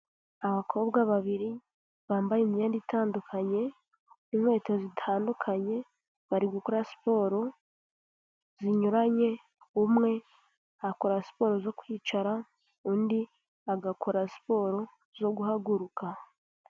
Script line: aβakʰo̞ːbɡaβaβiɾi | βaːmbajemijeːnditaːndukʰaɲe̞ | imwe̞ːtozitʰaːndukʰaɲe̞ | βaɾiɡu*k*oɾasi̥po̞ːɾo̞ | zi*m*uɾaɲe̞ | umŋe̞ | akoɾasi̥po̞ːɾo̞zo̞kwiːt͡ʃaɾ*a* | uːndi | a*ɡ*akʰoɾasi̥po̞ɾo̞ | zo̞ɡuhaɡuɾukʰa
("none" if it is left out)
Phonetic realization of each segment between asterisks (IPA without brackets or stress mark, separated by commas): k, ɲ, a, ɡ